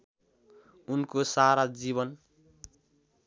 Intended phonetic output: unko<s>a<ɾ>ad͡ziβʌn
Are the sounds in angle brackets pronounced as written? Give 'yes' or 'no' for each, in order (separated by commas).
yes, yes